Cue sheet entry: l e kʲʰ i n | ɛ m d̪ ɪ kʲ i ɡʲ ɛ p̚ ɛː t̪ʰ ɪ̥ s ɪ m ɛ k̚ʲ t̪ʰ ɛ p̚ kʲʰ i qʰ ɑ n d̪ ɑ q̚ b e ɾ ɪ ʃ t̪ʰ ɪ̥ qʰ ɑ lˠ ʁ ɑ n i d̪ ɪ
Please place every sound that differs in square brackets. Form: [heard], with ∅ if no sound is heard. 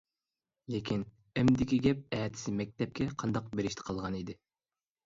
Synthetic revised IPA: l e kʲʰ i n | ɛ m d̪ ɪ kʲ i ɡʲ ɛ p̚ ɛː t̪ʰ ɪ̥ s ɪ m ɛ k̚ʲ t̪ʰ ɛ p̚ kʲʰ [ɛ] qʰ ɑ n d̪ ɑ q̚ b e ɾ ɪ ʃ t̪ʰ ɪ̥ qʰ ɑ lˠ ʁ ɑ n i d̪ ɪ